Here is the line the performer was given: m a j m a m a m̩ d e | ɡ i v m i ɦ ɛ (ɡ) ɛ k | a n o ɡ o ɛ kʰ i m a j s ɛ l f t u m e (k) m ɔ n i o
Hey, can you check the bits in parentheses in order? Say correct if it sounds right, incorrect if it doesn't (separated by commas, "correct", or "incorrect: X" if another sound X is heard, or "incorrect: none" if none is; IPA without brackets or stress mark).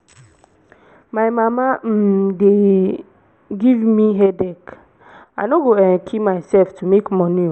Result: incorrect: d, correct